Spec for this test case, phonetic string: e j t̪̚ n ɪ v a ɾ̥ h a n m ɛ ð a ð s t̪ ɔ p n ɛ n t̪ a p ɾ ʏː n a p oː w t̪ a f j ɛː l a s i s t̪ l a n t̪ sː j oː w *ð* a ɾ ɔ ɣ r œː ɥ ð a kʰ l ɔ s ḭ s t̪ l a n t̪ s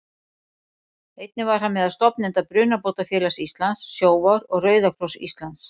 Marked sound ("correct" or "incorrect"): incorrect